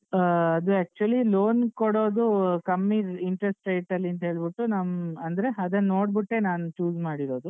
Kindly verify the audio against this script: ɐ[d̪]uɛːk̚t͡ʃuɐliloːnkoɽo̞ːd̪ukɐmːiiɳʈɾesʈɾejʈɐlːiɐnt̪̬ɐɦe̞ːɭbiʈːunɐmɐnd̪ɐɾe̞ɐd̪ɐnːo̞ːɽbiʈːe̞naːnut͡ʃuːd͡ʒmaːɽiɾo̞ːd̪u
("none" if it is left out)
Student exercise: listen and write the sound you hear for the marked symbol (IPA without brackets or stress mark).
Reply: d̪